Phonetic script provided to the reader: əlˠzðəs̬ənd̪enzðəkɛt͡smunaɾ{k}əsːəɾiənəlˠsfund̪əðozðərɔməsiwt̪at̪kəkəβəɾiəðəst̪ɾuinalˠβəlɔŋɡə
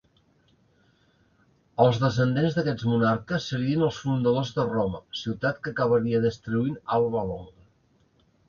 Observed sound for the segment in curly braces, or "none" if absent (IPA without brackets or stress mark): k